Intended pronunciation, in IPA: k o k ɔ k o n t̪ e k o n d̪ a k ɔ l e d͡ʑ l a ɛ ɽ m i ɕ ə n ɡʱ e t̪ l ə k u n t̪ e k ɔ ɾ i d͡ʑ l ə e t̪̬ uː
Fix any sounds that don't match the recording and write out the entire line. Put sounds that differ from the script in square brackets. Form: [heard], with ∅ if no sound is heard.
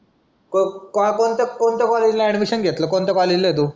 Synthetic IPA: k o k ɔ k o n t̪ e k o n [t̪] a k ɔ l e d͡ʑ l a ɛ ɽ m i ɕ ə n ɡʱ e t̪ l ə k [o] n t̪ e k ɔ [l] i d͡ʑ l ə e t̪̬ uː